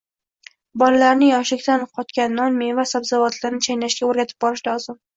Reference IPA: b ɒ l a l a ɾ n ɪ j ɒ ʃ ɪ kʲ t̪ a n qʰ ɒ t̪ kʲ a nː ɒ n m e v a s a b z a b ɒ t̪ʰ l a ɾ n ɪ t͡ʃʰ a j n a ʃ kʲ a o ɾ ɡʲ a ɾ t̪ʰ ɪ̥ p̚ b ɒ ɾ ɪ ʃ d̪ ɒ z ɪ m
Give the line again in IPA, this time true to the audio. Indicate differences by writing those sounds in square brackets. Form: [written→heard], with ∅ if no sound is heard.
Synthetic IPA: b ɒ l a l a ɾ n ɪ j ɒ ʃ ɪ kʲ t̪ a n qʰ ɒ t̪ kʲ a nː ɒ n m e v a s a b z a [b→v] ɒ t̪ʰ l a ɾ n ɪ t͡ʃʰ a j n a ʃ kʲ a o ɾ ɡʲ a [ɾ→∅] t̪ʰ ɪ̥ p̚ b ɒ ɾ ɪ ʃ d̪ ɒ z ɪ m

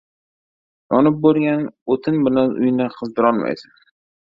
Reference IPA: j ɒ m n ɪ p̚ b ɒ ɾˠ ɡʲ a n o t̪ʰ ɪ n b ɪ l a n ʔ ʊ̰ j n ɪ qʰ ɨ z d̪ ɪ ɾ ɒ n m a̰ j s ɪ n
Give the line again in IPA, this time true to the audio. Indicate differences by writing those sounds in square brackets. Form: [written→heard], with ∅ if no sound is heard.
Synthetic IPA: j ɒ [m→∅] n ɪ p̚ b [ɒ→o] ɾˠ ɡʲ a n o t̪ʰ ɪ n b ɪ l a n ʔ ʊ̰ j n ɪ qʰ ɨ z d̪ ɪ ɾ ɒ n m a̰ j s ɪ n

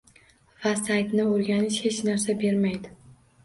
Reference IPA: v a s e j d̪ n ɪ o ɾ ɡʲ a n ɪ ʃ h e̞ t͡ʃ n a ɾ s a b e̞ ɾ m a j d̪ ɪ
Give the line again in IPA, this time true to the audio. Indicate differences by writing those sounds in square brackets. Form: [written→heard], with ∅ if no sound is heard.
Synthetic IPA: v a s [e→a] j [d̪→t̪] n ɪ o ɾ ɡʲ a n ɪ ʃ h e̞ t͡ʃ n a ɾ s a b e̞ ɾ m a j d̪ ɪ

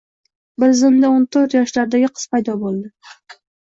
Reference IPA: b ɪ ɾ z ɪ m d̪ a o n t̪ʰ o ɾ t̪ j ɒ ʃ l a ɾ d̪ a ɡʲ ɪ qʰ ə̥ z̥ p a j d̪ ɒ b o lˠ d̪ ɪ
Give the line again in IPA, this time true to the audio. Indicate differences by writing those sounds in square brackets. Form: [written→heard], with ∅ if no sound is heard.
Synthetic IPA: b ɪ ɾ z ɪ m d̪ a o n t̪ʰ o ɾ t̪ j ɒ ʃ l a ɾ d̪ a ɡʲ ɪ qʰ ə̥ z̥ p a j d̪ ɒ b o lˠ d̪ ɪ

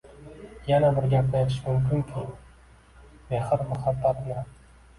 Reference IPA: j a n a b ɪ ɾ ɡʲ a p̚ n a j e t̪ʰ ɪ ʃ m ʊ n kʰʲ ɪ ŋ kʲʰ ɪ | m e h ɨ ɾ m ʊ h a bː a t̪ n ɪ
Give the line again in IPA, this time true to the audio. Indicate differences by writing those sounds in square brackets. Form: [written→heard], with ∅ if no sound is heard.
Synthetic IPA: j a n a b ɪ ɾ ɡʲ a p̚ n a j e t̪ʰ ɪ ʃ m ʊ [n→m] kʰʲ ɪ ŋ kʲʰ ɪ | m e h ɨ ɾ m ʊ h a bː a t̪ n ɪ

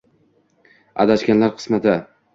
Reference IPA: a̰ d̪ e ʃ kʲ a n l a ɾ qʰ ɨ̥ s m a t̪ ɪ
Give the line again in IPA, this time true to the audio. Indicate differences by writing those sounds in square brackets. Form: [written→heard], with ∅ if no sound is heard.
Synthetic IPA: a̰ d̪ [e→a] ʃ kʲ a n l a ɾ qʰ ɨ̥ s m a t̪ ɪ

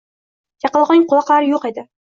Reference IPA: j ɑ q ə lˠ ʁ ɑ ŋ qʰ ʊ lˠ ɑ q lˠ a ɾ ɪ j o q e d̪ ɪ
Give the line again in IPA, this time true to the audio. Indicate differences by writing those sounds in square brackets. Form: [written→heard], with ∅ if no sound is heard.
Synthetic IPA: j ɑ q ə lˠ ʁ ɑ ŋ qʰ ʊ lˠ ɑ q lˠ a ɾ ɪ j o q e d̪ ɪ

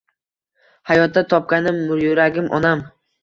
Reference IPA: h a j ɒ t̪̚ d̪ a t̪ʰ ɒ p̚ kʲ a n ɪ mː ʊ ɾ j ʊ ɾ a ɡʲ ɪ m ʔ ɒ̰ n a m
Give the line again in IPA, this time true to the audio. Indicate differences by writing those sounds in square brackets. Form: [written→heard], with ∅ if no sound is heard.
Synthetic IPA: h a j ɒ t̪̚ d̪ a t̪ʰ ɒ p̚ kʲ a n ɪ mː ʊ ɾ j ʊ ɾ a ɡʲ ɪ m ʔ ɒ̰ n a m

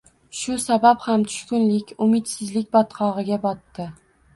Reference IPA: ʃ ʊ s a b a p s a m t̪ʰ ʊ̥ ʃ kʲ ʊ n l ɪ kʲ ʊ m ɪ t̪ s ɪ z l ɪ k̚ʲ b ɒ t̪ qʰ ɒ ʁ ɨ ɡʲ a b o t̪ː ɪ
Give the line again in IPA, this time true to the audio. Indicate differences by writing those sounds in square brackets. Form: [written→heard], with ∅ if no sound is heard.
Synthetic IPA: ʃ ʊ s a b a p [s→h] a m t̪ʰ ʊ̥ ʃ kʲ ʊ n l ɪ kʲ ʊ m ɪ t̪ s ɪ z l ɪ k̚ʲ b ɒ t̪ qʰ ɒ ʁ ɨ ɡʲ a b [o→ɒ] t̪ː ɪ

